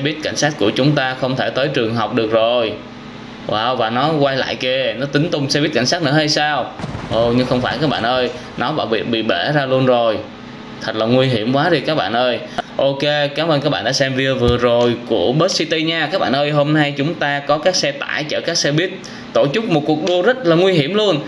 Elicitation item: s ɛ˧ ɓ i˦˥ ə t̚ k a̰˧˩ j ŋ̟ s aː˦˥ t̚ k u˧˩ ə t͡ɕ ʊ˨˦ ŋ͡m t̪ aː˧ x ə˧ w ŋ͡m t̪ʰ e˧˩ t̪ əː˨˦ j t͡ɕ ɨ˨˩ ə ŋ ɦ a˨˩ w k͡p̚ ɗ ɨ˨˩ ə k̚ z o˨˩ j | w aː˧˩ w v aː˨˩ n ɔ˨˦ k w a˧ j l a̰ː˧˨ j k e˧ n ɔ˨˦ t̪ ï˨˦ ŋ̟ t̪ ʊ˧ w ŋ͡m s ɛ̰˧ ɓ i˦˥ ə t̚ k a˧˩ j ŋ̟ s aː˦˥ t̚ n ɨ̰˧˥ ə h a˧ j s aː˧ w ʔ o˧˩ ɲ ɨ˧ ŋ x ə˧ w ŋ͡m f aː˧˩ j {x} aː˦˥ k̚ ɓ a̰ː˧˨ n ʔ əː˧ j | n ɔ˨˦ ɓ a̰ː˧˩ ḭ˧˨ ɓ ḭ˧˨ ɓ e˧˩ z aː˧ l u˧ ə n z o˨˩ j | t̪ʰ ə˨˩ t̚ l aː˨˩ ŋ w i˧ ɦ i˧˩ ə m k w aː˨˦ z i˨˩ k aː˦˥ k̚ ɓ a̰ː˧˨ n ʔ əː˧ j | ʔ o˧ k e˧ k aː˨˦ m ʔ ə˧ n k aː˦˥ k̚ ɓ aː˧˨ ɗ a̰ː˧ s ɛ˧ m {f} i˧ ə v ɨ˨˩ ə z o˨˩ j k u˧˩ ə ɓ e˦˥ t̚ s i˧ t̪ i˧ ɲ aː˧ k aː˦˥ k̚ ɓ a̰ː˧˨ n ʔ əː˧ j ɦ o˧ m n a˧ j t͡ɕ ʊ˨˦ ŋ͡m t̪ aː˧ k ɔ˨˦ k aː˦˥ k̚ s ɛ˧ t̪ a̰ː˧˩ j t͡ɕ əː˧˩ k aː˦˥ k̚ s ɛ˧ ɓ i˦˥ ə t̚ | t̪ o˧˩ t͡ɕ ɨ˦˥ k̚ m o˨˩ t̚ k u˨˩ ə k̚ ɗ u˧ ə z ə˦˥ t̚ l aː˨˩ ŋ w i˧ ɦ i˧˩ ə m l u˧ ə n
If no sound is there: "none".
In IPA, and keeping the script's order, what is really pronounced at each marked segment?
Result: k, v

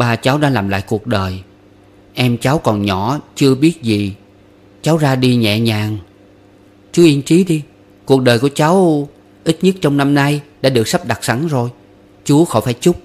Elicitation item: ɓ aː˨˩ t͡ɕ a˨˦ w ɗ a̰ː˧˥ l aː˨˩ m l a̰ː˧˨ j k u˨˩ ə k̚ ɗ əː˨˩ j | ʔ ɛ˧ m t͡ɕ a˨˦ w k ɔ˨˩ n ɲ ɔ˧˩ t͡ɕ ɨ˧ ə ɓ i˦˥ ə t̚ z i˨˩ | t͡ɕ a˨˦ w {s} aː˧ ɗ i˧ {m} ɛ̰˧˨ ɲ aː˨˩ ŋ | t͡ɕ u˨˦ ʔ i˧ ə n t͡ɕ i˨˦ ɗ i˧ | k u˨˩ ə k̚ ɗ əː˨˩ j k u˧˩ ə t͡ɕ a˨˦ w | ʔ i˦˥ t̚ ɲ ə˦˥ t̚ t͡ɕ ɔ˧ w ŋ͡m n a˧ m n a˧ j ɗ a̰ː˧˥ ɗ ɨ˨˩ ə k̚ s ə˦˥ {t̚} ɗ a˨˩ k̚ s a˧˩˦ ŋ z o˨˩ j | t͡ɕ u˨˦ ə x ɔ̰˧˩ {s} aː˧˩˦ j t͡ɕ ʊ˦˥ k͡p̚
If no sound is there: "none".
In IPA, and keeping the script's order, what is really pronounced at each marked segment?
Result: z, ɲ, p̚, f

